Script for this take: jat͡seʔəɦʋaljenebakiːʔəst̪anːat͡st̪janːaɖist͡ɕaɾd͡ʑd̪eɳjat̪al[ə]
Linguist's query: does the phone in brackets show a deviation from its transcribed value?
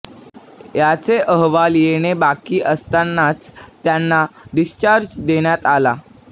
yes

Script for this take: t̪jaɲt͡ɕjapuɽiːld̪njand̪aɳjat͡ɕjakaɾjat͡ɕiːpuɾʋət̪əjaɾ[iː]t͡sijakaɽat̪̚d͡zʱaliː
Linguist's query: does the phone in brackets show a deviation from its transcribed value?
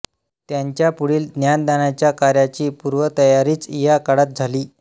no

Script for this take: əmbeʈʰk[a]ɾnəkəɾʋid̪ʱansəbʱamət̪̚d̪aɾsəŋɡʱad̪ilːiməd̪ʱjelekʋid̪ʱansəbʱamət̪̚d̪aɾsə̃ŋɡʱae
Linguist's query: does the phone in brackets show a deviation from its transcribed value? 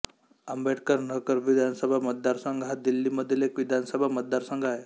yes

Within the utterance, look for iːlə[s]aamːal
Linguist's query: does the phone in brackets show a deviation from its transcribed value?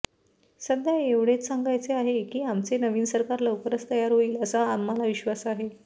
no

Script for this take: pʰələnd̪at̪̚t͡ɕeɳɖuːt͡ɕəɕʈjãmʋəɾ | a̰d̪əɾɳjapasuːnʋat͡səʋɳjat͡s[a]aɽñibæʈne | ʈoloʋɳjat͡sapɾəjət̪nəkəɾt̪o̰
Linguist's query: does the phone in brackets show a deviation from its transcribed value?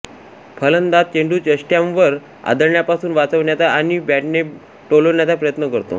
no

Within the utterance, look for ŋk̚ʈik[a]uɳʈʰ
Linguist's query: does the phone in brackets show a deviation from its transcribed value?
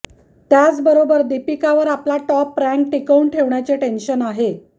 yes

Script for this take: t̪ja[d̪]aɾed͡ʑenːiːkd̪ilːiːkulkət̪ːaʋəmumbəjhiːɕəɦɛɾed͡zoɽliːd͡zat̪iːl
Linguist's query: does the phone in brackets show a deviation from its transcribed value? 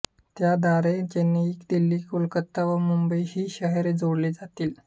no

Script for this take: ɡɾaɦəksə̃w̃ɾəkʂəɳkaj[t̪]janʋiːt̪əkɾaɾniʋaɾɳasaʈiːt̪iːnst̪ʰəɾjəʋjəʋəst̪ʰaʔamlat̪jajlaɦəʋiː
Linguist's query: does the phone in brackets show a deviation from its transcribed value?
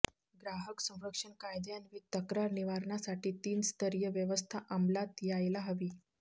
yes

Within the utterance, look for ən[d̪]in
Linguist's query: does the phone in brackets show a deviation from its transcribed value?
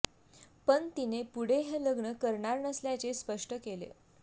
yes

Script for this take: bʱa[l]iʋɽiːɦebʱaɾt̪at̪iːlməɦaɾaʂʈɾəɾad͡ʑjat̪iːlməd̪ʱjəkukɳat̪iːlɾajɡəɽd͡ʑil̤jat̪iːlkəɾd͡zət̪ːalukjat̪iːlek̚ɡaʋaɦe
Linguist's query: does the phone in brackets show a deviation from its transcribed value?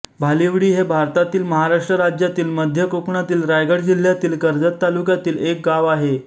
no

